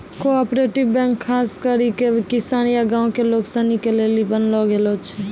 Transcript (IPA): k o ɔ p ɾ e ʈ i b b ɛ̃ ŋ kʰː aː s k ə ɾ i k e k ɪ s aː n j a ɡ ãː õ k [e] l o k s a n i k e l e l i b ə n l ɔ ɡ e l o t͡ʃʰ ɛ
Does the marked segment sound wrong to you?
no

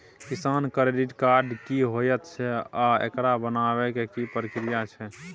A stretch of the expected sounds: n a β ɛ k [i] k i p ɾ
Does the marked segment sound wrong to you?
yes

